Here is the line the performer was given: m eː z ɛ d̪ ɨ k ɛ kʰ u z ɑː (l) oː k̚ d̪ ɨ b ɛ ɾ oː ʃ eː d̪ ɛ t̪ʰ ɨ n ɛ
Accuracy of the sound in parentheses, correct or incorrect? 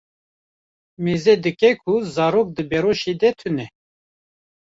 incorrect